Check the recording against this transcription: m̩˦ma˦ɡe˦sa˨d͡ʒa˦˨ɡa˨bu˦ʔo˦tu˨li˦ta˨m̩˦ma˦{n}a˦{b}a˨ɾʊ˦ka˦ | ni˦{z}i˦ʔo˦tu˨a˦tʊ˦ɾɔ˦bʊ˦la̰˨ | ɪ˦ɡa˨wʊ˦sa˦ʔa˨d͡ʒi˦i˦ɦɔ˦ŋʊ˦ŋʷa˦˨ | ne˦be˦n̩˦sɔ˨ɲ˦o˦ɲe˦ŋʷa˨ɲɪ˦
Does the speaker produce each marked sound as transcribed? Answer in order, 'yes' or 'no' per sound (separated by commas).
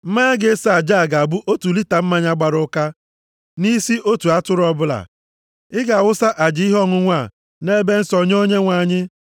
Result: no, no, no